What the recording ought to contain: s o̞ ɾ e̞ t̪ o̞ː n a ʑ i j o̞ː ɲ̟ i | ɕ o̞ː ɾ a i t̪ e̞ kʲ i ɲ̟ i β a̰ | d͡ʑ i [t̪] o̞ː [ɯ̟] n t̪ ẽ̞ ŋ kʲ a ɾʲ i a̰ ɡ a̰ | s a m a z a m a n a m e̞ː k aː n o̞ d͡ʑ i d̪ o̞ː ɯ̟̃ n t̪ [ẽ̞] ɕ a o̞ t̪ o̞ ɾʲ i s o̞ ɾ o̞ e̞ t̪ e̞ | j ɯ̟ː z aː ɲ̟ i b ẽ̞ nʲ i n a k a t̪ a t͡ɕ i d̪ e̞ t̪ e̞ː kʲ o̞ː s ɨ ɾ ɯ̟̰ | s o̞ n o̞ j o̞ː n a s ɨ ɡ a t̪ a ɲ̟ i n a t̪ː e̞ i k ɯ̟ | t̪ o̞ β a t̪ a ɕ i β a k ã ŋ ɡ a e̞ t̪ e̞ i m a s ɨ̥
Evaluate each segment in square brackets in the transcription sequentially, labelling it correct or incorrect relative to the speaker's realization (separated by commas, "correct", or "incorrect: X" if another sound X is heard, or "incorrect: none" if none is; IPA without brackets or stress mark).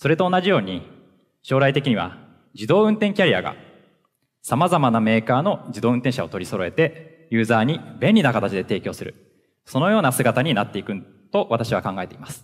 incorrect: d̪, incorrect: ɯ̟̃, correct